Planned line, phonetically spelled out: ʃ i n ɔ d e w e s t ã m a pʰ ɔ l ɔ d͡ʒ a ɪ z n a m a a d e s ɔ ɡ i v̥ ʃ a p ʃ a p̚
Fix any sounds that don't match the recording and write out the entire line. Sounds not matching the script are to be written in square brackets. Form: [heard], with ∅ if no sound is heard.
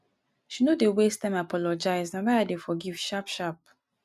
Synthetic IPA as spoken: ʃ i n [o] d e w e s t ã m a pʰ ɔ l ɔ d͡ʒ a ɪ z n a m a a d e [f] ɔ ɡ i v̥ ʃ a p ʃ a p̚

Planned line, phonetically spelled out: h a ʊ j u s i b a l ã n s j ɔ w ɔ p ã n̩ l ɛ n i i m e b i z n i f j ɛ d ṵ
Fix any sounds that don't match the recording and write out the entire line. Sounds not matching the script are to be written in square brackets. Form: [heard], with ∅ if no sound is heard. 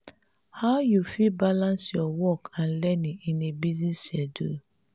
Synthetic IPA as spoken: h a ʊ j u [f] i b a l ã n s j ɔ w ɔ [k] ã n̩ l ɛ n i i [n] e b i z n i [s] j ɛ d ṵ

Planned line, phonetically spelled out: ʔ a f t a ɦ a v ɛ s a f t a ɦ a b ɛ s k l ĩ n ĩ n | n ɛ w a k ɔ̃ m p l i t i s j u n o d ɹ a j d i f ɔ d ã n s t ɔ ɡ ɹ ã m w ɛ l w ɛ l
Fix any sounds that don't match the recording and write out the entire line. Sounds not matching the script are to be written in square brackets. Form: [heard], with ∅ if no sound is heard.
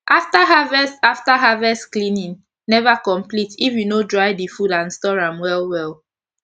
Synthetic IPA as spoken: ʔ a f t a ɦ a v ɛ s a f t a ɦ a [v] ɛ s k l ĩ n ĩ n | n ɛ [v] a k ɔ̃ m p l i t i [f] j u n o d ɹ a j d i f [u] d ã n s t ɔ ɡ ɹ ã m w ɛ l w ɛ l

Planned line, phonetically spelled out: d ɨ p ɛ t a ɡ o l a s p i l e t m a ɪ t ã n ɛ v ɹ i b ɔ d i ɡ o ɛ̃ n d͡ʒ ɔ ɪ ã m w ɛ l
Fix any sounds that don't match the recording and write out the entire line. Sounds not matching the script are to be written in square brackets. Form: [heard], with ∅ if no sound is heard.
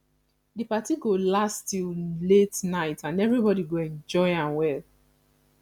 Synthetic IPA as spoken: d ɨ p [a] t [i] ɡ o l a s [t] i l e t [n] a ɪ t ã n ɛ v ɹ i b ɔ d i ɡ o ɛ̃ n d͡ʒ ɔ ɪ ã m w ɛ l

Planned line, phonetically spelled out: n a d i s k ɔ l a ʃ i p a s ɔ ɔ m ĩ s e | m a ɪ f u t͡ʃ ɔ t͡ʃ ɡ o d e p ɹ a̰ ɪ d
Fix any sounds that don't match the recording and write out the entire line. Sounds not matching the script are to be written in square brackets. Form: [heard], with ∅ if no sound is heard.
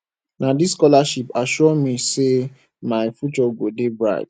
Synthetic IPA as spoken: n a d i s k ɔ l a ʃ i p a [ʃ] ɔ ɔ m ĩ s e | m a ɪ f u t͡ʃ ɔ [∅] ɡ o d e [b] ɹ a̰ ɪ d

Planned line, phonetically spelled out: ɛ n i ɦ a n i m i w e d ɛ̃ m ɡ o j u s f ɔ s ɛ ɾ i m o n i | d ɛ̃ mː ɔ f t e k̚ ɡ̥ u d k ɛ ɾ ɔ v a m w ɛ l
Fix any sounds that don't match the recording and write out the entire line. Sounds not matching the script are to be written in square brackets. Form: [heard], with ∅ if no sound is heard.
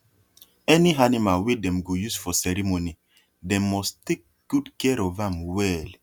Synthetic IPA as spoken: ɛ n i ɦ a n i m [a] w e d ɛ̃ m ɡ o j u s f ɔ s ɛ ɾ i m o n i | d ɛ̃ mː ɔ [s] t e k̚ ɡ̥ u d k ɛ ɾ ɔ v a m w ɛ l

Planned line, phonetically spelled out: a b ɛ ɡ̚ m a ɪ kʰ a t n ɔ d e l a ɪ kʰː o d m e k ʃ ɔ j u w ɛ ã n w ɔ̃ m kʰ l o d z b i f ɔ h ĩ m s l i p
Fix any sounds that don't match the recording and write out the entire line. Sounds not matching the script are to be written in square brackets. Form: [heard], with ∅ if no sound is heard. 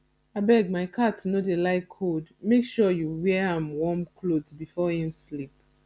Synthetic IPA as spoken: a b ɛ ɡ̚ m a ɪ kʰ a t n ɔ d e l a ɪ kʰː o d m e k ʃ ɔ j u w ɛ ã [m] w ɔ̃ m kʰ l o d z b i f ɔ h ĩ m s l i p

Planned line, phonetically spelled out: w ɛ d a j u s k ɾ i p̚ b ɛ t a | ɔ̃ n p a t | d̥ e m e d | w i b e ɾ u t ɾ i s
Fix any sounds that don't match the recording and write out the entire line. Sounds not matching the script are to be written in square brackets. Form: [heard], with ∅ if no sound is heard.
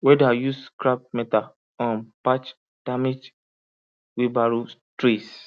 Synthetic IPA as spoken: w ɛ d a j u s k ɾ [a] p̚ [m] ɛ t a | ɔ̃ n p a [t͡ʃ] | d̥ [a] m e [d͡ʒ] | w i b [a] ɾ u t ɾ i s

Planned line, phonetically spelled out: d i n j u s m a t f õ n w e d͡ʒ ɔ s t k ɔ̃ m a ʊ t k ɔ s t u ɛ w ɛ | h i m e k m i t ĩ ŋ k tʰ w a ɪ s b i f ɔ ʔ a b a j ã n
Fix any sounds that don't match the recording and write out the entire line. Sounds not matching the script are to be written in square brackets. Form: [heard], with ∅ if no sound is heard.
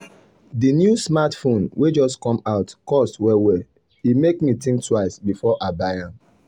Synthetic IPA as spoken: d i n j u s m a t f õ n w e d͡ʒ ɔ s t k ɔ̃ m a ʊ t k ɔ s t [w] ɛ w ɛ | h i m e k m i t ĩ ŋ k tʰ w a ɪ s b i f ɔ ʔ a b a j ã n

